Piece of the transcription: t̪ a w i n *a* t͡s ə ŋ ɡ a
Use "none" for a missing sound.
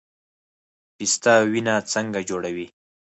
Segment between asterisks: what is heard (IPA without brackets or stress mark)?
a